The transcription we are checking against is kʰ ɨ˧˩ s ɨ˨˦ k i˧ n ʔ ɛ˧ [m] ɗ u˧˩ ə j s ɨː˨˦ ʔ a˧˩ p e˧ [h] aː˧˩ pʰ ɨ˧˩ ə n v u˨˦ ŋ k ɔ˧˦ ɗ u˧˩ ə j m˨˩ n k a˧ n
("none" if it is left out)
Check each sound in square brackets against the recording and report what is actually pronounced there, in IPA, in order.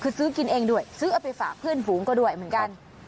ŋ, f

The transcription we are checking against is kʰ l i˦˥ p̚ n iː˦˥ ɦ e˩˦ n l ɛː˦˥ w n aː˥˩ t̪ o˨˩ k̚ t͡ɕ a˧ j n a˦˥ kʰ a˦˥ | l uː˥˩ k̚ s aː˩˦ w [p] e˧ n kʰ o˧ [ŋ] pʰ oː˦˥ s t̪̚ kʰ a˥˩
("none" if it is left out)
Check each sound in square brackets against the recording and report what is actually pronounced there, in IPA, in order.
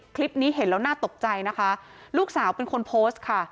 p, n

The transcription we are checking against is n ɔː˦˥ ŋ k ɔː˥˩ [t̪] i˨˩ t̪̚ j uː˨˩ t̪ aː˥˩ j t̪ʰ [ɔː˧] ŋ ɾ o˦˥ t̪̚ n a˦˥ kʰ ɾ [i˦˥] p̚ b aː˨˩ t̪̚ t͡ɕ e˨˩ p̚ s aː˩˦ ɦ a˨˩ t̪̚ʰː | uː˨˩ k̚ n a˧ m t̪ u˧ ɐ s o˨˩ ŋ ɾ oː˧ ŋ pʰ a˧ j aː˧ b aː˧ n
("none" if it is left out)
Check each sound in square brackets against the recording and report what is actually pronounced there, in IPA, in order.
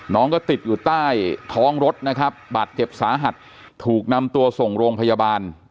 t̪, ɔː˦˥, a˦˥

